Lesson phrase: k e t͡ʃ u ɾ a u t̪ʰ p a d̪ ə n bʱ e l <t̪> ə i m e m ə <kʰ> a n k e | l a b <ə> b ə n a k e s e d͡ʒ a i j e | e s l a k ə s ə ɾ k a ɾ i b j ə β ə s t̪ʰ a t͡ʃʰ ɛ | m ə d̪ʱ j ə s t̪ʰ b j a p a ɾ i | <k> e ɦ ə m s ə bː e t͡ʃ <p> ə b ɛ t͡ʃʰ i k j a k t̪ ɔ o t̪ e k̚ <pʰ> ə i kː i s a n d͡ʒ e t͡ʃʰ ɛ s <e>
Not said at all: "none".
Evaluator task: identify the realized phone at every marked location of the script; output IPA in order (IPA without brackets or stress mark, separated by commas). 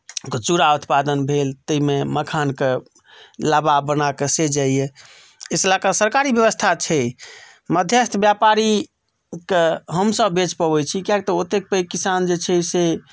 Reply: t̪, kʰ, a, k, p, p, e